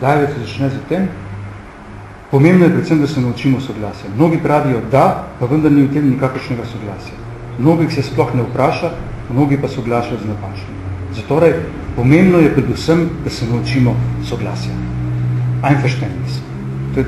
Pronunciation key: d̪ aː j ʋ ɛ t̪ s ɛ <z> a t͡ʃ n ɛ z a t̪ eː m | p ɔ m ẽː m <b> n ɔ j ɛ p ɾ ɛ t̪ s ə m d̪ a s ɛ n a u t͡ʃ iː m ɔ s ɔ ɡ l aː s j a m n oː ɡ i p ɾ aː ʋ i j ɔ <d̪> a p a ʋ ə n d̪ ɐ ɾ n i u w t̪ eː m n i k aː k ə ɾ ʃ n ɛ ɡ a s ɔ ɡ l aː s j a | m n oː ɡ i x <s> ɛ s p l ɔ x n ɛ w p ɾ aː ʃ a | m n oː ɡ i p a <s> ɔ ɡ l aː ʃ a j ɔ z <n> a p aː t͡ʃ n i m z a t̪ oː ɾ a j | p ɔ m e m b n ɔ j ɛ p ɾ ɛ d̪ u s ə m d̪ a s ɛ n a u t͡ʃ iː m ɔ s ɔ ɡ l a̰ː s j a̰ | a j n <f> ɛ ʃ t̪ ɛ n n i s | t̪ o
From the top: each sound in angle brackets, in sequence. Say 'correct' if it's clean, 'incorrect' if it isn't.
correct, correct, correct, correct, correct, correct, correct

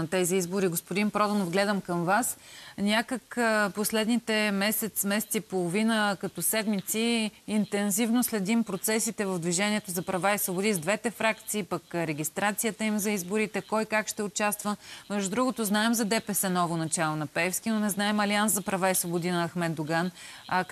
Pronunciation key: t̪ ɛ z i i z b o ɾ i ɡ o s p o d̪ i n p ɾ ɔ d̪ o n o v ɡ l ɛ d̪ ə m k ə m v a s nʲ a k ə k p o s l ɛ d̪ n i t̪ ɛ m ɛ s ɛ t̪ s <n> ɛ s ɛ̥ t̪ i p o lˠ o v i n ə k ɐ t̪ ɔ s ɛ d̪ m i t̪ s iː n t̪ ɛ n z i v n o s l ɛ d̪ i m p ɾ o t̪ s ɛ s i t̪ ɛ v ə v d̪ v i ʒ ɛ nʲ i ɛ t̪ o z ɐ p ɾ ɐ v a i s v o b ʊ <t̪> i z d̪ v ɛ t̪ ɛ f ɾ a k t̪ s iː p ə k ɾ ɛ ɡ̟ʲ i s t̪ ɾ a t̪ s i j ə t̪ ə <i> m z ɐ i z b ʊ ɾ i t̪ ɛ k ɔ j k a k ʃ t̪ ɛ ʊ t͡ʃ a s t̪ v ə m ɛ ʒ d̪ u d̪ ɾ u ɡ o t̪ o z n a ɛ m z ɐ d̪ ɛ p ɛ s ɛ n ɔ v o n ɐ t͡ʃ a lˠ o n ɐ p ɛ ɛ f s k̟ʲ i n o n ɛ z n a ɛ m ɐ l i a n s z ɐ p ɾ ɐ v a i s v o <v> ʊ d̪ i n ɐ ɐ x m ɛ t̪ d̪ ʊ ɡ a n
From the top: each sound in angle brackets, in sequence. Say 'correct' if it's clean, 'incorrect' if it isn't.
incorrect: m, incorrect: d̪, correct, incorrect: b

